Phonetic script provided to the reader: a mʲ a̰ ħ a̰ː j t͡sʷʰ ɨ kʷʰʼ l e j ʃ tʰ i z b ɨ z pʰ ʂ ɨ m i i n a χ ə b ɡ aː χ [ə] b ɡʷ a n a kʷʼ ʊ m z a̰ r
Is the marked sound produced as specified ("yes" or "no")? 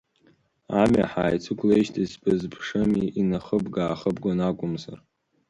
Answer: yes